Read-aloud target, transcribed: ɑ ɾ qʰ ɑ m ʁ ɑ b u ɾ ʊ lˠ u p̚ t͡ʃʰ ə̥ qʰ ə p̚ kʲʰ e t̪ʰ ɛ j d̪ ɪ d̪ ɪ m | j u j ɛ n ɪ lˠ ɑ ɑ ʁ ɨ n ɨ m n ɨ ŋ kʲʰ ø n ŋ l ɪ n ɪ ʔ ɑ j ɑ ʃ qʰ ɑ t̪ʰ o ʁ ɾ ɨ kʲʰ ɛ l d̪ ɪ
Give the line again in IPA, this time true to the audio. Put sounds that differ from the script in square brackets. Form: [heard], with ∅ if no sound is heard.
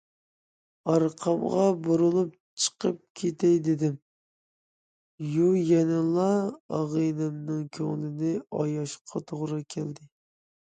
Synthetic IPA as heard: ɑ ɾ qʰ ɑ m ʁ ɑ b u ɾ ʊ lˠ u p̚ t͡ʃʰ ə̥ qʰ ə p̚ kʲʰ e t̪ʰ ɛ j d̪ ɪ d̪ ɪ m | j u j ɛ n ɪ lˠ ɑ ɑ ʁ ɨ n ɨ m n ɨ ŋ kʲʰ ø [∅] ŋ l ɪ n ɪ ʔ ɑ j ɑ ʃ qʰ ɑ t̪ʰ o ʁ ɾ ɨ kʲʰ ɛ l d̪ ɪ